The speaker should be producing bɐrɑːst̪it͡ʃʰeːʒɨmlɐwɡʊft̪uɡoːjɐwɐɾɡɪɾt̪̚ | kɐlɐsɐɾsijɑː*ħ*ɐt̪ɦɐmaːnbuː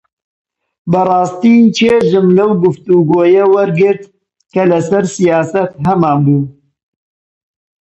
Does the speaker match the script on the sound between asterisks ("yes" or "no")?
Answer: no